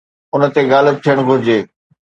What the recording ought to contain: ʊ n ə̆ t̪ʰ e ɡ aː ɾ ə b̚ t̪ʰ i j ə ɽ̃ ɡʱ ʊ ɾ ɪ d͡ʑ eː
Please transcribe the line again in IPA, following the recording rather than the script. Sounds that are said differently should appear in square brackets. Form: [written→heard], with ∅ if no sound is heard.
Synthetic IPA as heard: ʊ n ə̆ [t̪ʰ→t̪] e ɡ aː [ɾ→l] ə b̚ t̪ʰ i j ə ɽ̃ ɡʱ ʊ ɾ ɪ d͡ʑ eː